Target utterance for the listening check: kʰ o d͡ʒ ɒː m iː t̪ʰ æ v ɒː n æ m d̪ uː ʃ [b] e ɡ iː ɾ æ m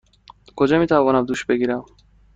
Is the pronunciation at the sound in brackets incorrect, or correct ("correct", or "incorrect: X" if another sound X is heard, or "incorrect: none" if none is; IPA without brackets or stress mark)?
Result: correct